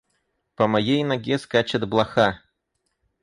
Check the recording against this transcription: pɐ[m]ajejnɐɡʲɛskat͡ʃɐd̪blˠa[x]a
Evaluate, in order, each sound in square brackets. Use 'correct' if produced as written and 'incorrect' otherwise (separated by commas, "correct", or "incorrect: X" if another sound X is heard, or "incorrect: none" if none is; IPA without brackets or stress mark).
correct, correct